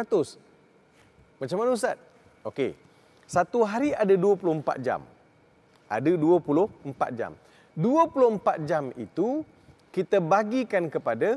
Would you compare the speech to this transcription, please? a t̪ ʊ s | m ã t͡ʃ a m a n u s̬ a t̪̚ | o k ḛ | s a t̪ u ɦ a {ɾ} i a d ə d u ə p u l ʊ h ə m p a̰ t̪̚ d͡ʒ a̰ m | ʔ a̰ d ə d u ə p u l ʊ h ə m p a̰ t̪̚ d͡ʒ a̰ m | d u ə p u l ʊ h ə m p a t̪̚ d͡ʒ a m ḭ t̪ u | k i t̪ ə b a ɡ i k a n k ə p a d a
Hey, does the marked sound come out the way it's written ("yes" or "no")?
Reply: yes